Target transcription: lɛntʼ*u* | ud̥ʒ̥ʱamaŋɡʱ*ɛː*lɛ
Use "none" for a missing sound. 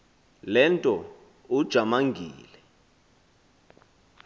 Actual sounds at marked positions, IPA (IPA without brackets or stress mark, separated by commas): ɔ, iː